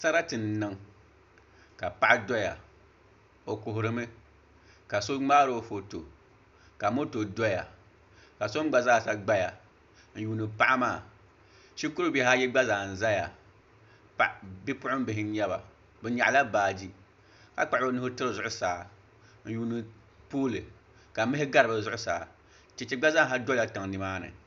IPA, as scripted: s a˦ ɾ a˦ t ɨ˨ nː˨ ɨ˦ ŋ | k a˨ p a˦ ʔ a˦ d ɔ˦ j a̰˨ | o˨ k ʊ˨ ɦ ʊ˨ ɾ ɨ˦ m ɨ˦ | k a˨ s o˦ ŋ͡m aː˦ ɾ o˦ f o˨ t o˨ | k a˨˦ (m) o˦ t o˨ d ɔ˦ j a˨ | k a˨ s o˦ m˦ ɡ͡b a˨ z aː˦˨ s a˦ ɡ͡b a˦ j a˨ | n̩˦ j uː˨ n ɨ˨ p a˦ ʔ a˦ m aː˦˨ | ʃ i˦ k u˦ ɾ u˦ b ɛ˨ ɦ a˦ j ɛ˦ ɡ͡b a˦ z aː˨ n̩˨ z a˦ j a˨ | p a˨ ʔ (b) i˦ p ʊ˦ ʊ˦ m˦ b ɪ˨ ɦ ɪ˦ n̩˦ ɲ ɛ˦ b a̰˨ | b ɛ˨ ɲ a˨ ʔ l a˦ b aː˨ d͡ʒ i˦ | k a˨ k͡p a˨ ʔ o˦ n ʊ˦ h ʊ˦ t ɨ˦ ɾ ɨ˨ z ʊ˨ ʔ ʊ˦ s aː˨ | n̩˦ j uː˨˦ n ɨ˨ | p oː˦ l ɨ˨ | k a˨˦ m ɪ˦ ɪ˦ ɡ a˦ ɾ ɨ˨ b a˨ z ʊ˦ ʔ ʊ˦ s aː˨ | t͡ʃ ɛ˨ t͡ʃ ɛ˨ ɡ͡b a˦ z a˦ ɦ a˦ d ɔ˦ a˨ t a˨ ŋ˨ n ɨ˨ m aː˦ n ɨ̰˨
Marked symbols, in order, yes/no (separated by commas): yes, yes